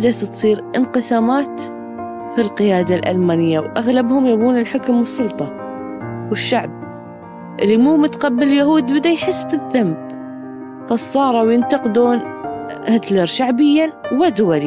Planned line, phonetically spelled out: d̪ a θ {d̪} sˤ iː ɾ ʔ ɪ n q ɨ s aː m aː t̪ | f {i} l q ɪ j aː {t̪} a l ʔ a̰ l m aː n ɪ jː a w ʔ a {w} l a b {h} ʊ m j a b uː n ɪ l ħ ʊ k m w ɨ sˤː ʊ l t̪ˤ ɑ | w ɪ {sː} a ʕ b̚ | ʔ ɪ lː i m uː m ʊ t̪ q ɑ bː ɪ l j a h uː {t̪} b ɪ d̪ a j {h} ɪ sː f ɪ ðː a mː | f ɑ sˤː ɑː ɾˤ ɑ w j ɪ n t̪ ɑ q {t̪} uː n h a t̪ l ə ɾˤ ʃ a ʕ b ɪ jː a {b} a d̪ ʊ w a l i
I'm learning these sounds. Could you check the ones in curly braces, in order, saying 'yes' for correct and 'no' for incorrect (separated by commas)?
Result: no, yes, no, no, yes, no, no, no, no, no